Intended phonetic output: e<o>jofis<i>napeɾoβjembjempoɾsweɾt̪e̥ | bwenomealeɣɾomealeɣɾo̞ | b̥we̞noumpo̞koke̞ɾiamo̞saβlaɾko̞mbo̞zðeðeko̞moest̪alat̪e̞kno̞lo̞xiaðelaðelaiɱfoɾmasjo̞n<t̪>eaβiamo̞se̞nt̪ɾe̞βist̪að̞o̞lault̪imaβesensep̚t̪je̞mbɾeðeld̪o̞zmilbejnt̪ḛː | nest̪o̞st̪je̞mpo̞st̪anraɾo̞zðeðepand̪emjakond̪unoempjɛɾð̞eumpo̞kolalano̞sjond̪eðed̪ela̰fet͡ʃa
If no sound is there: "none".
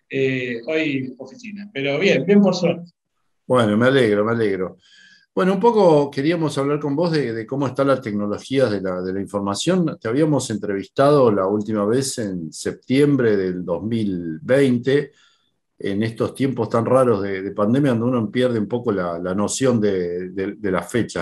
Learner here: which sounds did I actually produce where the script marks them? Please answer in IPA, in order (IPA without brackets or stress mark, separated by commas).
o, i, t̪